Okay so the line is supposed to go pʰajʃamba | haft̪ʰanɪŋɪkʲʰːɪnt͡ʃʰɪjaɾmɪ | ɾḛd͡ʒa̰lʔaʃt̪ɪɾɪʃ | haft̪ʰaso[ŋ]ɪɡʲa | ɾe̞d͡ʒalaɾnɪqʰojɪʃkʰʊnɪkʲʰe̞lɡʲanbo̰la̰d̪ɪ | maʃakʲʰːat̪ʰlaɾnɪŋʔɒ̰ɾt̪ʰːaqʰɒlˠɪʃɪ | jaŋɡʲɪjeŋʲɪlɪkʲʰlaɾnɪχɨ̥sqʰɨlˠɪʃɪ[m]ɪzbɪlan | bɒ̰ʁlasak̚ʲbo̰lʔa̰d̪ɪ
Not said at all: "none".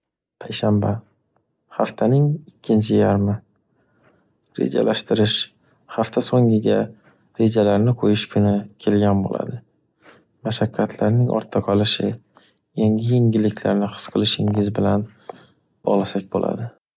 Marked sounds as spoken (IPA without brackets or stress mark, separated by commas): ŋ, ŋ